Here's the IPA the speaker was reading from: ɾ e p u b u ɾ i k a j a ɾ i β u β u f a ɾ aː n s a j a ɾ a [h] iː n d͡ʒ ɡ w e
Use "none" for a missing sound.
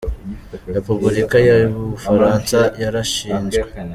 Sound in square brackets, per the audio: ʃ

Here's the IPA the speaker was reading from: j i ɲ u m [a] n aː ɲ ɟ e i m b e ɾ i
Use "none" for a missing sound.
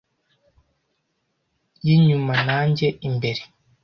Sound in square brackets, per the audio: a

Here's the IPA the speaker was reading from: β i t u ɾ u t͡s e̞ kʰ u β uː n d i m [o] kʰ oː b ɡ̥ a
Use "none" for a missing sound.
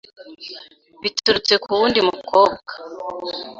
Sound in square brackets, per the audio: u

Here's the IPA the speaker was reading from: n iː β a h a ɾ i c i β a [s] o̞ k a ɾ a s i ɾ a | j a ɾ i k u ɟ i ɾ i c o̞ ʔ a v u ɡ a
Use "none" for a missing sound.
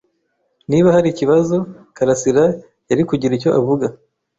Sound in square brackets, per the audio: z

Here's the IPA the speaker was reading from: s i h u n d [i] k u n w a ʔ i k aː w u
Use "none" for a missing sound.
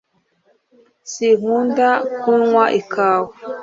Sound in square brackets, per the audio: a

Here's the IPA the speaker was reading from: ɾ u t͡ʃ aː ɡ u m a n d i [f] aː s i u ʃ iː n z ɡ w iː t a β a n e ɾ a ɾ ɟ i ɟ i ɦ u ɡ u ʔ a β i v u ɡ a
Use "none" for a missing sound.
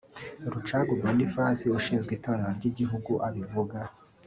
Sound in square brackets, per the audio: f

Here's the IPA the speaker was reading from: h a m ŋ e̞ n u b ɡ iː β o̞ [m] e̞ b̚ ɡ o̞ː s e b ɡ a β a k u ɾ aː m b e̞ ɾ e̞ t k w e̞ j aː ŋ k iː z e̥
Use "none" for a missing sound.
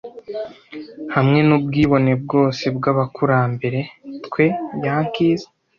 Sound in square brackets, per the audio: n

